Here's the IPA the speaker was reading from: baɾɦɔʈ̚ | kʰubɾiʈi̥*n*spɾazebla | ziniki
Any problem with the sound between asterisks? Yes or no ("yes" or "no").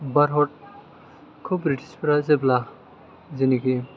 yes